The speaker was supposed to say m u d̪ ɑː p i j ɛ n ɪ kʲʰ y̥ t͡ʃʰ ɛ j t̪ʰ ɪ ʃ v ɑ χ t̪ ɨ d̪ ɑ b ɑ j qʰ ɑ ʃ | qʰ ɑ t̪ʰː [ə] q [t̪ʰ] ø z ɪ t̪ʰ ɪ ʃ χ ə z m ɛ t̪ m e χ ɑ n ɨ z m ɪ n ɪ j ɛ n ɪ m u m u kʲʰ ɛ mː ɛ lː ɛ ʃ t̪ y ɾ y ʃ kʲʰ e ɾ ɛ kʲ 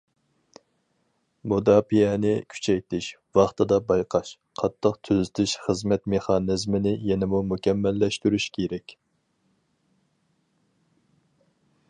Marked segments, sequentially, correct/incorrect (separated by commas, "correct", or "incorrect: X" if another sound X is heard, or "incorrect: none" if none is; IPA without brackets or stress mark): correct, correct